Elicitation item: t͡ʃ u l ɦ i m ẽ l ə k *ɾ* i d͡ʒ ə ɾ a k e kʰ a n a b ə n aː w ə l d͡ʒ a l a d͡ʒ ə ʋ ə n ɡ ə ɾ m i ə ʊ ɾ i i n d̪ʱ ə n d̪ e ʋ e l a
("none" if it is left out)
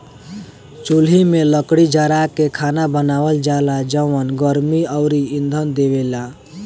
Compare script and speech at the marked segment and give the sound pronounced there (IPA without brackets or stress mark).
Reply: ɽ